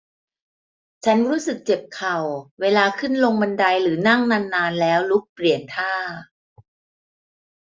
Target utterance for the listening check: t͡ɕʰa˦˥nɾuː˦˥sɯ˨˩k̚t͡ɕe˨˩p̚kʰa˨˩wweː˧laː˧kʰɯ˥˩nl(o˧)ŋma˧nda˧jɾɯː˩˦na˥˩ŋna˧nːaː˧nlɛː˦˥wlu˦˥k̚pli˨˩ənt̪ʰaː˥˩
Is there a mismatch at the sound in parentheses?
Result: no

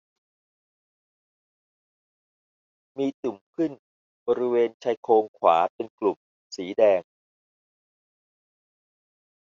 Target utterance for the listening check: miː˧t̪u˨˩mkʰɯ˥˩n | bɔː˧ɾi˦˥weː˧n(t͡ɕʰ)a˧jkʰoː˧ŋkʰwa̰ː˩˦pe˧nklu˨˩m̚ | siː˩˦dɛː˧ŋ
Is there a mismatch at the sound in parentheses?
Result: no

